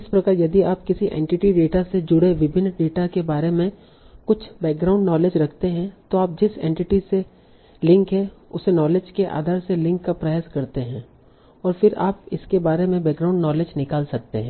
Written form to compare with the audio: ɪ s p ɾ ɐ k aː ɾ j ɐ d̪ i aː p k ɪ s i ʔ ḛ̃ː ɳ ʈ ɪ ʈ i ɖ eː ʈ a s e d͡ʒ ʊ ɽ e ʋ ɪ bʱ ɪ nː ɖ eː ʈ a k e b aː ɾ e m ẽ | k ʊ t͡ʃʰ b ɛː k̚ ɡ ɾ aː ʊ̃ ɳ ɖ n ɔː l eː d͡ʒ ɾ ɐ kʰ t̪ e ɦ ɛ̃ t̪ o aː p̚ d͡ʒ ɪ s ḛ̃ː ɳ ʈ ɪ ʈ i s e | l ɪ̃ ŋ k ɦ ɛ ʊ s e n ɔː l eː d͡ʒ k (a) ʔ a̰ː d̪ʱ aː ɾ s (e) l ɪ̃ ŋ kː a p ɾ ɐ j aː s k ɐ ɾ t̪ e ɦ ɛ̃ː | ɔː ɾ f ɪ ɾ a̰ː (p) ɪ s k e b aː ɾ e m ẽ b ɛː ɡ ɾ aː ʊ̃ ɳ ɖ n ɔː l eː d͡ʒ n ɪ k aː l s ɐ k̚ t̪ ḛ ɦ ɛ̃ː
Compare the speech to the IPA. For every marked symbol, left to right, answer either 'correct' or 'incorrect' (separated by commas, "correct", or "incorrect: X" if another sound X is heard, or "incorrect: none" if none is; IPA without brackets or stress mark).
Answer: incorrect: e, correct, correct